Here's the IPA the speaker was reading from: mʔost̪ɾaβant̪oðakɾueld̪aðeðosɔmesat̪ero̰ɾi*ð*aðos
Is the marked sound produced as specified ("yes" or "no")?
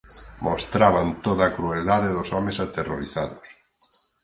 no